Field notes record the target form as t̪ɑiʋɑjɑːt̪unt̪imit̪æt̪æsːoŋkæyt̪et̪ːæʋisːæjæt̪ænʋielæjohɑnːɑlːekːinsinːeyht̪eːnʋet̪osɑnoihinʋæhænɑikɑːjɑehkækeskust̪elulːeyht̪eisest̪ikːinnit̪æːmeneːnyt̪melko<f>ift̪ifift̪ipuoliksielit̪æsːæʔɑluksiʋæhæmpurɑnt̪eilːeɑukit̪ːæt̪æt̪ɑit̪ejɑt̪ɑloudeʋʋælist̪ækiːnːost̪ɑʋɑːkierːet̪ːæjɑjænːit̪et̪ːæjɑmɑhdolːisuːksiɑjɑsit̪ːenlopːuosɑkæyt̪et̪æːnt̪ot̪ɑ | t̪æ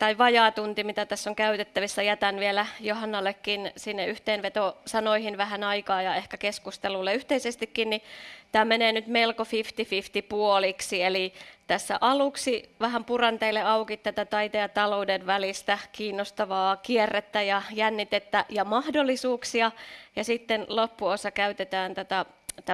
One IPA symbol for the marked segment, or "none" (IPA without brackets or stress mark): f